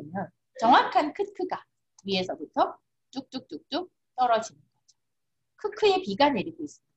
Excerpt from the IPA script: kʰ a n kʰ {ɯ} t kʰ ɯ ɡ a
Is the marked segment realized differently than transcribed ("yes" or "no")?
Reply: no